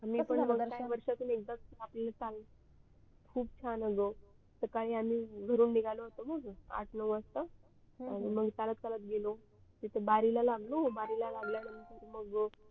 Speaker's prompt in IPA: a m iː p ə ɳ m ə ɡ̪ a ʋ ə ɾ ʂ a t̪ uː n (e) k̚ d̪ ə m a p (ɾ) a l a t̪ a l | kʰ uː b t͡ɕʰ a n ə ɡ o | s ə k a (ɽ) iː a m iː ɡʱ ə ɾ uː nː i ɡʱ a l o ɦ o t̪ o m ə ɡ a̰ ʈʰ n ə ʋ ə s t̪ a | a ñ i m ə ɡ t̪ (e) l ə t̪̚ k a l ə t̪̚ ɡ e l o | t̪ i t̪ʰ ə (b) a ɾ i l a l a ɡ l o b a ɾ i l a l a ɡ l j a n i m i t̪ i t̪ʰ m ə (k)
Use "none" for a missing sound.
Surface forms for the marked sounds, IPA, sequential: e, l, ɭ, a, b, ɡ

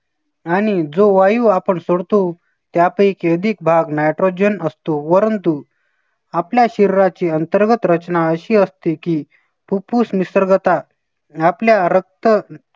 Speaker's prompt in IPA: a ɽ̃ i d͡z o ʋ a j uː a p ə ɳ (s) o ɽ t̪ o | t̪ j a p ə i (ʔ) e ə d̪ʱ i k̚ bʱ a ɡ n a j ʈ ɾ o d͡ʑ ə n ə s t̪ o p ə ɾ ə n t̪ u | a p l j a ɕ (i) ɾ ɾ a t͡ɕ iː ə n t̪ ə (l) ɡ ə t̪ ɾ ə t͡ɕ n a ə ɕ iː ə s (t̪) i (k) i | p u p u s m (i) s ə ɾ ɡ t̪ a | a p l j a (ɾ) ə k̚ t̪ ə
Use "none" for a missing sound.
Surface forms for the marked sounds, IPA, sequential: s, k, i, ɾ, t̪, k, i, ɾ

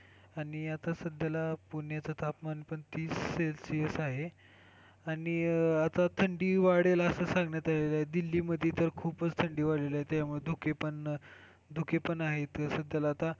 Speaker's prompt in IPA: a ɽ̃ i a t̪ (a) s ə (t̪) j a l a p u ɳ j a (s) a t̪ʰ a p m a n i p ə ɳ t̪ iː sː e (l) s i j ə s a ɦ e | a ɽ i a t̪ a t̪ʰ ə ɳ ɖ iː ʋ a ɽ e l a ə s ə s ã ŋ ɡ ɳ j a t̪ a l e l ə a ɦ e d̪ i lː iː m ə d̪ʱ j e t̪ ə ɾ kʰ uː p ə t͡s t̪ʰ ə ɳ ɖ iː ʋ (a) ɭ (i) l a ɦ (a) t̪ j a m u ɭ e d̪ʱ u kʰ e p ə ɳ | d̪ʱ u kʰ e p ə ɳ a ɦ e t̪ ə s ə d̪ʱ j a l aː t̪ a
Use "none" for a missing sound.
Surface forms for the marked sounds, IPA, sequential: a, d̪, t͡s, l, a, e, e

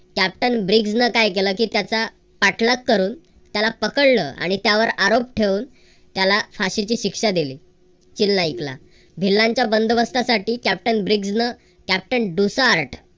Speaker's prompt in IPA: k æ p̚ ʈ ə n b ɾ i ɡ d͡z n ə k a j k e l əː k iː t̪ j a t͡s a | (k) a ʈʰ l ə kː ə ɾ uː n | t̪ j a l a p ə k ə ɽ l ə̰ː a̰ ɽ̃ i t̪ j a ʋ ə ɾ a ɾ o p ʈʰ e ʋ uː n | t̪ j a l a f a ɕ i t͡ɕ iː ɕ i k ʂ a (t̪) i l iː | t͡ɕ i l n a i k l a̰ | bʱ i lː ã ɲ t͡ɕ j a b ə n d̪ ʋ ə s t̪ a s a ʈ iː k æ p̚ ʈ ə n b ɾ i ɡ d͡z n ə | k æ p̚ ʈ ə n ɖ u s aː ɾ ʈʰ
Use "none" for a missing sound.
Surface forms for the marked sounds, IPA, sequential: p, d̪

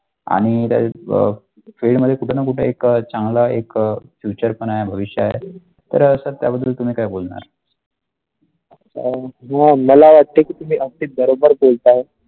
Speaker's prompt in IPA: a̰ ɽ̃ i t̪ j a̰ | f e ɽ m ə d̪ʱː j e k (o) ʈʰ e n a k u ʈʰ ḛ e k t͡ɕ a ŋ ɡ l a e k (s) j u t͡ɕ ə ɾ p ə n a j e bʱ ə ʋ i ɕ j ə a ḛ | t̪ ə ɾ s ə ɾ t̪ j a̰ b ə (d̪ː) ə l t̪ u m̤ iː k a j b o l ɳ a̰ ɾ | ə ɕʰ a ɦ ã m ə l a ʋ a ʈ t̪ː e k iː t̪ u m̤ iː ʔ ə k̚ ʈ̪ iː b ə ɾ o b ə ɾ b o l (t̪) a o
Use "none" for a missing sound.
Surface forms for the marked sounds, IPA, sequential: u, f, d̪ː, t̪

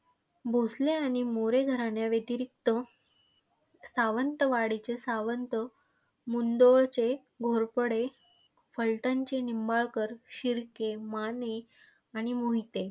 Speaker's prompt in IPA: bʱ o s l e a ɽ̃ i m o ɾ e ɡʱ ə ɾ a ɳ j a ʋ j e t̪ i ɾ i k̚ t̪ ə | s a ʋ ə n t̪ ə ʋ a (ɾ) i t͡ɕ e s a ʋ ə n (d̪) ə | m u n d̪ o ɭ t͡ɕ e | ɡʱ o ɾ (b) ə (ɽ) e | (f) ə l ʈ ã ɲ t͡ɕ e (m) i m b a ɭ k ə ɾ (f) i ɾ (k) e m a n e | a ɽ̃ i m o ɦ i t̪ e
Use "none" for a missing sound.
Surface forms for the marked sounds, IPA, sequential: ɽ, t̪, p, ɽ, f, n, ɕ, k

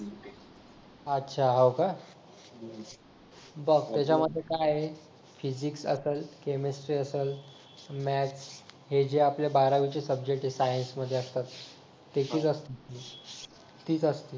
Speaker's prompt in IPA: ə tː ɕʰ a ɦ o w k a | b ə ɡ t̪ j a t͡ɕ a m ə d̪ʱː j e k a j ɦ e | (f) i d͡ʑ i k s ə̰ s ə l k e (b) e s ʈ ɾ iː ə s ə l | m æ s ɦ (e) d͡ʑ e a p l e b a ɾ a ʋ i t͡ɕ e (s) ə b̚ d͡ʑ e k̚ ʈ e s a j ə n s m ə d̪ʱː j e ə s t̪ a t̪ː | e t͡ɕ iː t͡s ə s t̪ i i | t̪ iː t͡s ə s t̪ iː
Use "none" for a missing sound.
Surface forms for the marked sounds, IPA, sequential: f, m, e, s

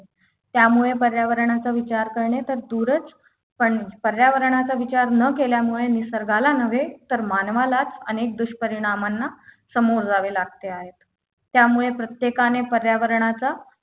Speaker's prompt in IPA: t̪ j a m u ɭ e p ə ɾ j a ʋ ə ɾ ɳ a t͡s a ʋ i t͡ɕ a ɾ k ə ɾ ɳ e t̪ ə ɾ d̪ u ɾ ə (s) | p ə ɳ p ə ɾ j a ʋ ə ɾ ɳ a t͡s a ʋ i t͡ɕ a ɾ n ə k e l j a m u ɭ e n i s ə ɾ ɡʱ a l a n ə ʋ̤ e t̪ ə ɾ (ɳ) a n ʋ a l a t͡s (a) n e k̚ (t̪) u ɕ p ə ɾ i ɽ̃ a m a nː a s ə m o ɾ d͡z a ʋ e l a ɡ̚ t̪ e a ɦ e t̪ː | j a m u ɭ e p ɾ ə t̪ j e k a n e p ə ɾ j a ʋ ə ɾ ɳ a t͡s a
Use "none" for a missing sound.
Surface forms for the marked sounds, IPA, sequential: t͡s, m, ə, d̪

